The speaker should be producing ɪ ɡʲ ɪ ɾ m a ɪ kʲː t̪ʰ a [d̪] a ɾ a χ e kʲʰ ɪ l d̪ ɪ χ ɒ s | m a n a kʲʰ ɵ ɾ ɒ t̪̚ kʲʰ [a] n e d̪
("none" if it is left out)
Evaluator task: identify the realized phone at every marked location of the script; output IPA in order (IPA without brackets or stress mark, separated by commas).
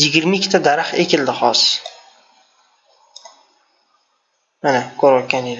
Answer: d̪, a